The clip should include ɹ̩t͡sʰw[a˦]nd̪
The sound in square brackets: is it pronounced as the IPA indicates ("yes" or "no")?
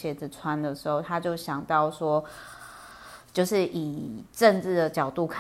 yes